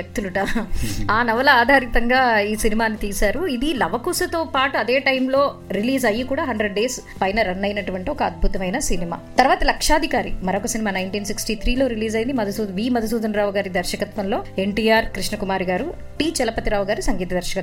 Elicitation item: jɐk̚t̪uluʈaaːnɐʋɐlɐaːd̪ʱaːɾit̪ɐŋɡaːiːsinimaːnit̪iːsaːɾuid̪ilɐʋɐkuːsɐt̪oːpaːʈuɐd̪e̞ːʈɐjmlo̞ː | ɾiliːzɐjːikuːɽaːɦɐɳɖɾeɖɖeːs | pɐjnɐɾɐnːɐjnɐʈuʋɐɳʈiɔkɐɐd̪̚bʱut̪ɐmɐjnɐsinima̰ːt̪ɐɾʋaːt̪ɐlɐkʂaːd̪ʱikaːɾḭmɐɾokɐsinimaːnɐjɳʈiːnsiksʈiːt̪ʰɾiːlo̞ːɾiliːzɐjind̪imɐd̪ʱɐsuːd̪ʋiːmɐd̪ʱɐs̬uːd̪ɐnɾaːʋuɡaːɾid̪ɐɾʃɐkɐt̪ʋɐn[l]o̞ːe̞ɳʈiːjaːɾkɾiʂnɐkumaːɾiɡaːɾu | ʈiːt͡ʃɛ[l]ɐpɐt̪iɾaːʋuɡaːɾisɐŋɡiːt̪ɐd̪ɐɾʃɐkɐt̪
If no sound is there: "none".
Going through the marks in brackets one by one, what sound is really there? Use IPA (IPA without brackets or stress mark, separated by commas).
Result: l, l